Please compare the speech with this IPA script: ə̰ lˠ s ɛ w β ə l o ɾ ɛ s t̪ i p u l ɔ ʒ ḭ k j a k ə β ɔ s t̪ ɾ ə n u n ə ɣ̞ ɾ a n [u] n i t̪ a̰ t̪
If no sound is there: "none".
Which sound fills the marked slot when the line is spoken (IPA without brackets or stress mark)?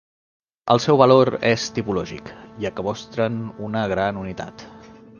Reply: u